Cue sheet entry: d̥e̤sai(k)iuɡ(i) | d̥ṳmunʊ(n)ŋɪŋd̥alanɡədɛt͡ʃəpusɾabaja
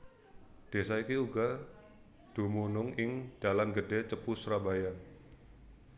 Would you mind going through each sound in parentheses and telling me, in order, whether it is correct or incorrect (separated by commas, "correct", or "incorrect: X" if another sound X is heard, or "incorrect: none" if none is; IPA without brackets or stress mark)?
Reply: correct, incorrect: a, incorrect: none